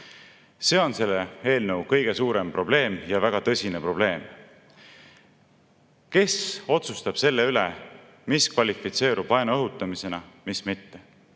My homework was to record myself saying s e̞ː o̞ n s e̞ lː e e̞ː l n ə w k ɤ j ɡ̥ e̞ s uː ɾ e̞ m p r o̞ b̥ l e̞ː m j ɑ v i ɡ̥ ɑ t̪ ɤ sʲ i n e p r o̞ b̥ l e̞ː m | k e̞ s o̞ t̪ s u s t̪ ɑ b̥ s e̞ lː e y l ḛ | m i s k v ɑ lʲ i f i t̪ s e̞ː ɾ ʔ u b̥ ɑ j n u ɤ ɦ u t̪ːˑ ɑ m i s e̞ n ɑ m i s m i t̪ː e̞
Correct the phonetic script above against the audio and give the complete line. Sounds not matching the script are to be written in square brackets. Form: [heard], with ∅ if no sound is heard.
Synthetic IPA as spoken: s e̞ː o̞ n s e̞ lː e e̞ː l n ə w k ɤ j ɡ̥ e̞ s uː ɾ e̞ m p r o̞ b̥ l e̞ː m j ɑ v [æ] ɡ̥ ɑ t̪ ɤ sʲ i n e p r o̞ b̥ l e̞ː m | k e̞ s o̞ t̪ s u s t̪ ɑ b̥ s e̞ lː e y l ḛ | m i s k v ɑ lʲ i f i t̪ s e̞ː ɾ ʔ u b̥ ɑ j n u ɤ ɦ u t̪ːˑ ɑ m i s e̞ n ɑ m i s m i t̪ː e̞

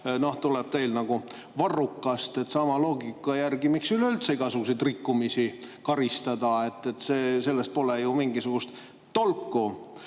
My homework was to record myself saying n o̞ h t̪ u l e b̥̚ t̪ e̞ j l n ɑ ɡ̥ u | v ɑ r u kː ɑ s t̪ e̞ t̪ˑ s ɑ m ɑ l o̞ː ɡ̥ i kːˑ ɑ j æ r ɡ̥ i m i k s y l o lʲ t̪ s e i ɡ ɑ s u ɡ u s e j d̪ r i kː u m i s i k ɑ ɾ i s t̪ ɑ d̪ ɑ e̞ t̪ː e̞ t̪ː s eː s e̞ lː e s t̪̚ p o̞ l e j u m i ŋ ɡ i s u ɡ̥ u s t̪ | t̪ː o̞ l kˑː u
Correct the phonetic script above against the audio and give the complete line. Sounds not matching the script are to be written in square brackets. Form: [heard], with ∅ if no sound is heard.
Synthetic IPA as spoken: n o̞ h t̪ u l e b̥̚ t̪ e̞ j l n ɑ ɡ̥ u | v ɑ r u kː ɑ s t̪ e̞ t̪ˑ s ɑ m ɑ l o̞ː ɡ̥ i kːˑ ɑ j æ r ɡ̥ i m i k s y l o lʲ t̪ s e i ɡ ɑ s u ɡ u s e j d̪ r i kː u m i s i k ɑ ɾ i s t̪ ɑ d̪ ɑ e̞ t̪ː e̞ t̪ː s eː s e̞ lː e s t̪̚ p o̞ l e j u m i ŋ ɡ i s u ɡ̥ u s t̪ | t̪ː o̞ l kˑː u

